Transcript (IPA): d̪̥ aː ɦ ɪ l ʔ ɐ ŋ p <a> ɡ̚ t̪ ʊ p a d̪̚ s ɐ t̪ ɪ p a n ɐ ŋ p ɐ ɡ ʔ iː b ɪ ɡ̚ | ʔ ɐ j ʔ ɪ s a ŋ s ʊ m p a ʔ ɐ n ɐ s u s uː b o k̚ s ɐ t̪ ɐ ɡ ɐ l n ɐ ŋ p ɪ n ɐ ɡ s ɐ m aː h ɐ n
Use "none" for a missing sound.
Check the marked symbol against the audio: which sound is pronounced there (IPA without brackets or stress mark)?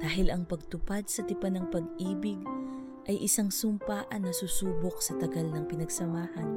ɐ